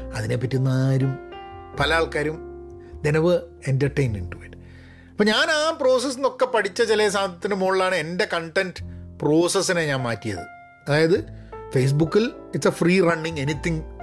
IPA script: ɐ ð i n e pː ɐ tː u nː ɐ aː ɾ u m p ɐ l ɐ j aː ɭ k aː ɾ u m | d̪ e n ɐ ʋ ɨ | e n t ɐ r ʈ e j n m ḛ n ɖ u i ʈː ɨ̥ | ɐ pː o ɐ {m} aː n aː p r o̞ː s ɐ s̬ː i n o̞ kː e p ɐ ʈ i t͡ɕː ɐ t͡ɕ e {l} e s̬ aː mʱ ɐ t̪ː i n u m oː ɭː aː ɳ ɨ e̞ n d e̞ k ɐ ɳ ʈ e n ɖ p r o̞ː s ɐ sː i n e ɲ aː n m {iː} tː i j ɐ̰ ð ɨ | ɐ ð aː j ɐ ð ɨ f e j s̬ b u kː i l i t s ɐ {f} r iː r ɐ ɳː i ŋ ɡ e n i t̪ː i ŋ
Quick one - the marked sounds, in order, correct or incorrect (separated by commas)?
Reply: incorrect, correct, incorrect, correct